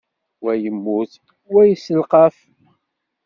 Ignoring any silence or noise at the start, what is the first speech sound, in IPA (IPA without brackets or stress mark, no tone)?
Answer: w